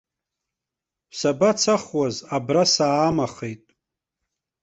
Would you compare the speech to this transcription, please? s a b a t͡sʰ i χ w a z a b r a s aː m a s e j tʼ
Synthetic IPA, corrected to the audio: s a b a t͡sʰ a χ w a z a b r a s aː m a χ e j tʼ